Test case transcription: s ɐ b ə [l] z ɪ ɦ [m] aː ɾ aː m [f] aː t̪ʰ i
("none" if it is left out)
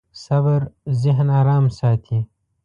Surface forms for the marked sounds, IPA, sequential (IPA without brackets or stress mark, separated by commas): ɾ, n, s